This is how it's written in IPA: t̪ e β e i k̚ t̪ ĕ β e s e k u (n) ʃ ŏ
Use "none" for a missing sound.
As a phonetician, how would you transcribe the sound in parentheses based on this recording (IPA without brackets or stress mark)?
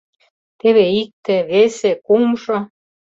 m